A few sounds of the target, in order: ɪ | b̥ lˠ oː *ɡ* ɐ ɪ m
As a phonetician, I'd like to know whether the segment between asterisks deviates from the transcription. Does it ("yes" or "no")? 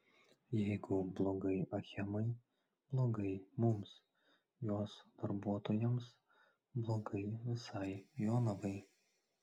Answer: no